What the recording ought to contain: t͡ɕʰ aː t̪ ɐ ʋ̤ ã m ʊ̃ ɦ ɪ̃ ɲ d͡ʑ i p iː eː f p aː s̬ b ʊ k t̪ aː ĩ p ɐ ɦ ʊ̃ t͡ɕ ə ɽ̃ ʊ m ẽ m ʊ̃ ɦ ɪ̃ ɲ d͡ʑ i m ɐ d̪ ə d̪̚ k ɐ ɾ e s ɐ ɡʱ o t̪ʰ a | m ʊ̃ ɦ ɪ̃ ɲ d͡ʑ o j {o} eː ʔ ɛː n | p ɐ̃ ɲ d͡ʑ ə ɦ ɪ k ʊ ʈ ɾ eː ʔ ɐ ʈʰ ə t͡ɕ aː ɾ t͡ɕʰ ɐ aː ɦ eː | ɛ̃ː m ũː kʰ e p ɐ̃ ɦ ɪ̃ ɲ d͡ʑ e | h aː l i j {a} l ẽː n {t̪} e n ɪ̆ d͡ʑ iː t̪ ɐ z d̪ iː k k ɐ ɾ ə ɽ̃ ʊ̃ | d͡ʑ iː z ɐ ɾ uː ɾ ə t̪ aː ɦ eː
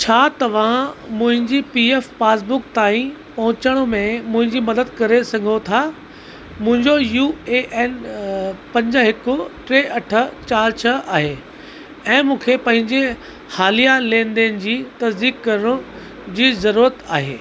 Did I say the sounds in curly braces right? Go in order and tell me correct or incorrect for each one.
incorrect, correct, incorrect

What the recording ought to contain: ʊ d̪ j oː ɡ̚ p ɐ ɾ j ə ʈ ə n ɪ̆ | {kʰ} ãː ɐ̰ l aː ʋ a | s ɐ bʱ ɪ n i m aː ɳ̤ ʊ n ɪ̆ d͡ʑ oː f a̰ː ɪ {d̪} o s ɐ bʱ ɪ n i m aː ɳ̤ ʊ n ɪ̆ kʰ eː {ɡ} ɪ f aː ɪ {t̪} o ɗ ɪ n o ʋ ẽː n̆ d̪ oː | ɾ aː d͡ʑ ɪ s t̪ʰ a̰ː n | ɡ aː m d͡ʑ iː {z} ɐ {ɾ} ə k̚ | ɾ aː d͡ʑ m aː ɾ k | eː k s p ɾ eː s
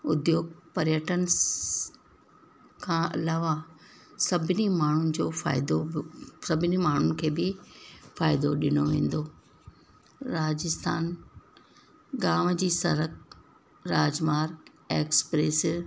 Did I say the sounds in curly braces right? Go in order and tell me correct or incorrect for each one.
correct, correct, incorrect, incorrect, incorrect, correct

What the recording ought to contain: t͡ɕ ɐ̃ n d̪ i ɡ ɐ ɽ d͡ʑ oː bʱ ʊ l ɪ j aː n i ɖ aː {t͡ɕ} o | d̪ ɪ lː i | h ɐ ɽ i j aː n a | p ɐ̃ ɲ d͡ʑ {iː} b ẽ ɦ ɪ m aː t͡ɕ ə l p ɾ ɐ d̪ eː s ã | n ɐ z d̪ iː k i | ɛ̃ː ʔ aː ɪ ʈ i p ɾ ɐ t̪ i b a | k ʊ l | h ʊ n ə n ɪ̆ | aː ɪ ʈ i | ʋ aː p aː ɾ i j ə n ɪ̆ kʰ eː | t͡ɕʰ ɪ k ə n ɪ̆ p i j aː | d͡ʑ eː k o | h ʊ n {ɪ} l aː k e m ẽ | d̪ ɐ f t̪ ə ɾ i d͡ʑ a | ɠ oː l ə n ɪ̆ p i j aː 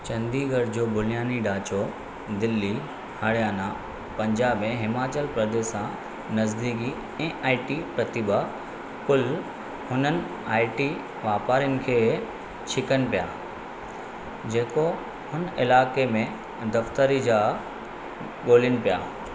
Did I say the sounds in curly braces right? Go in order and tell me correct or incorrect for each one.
correct, incorrect, correct

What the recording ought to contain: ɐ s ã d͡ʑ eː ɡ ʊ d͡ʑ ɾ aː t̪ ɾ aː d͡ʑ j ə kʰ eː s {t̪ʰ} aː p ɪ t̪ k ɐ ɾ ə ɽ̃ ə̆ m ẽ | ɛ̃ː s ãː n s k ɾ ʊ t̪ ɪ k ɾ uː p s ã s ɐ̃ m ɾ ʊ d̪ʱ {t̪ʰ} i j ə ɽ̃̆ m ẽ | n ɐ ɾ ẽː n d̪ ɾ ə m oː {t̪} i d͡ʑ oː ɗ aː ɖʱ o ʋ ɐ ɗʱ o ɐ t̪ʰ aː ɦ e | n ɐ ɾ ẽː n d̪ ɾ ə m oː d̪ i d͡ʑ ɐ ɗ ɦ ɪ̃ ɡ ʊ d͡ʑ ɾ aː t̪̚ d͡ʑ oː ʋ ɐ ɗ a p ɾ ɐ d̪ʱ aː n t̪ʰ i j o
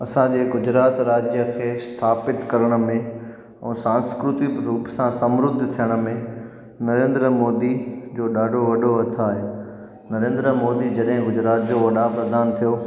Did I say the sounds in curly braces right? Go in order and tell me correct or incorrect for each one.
correct, correct, incorrect

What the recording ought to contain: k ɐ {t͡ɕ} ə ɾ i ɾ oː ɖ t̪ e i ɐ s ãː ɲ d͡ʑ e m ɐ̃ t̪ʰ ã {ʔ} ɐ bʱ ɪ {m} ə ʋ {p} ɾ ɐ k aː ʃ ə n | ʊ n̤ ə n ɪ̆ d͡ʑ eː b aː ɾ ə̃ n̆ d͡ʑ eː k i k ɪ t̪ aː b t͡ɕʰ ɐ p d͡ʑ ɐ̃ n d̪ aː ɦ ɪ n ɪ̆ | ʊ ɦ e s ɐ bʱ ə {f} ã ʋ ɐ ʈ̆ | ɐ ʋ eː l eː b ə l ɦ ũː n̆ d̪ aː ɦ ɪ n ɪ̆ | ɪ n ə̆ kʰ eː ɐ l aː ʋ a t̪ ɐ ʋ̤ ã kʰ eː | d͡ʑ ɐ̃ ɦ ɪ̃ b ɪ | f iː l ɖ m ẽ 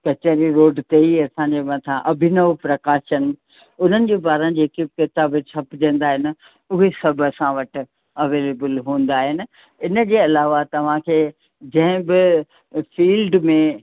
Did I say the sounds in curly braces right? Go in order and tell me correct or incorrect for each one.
correct, correct, incorrect, correct, incorrect

